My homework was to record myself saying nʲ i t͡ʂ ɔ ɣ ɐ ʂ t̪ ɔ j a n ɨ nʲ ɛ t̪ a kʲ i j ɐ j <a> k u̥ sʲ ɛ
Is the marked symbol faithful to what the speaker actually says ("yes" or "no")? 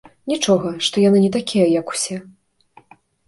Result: no